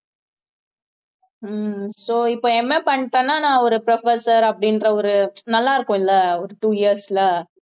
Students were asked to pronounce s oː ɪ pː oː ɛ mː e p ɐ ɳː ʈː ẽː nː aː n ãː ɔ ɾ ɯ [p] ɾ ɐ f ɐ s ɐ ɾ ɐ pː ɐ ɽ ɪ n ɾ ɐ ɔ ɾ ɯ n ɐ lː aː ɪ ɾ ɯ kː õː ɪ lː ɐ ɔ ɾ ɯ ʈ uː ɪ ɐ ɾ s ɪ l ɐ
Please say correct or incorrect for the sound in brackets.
correct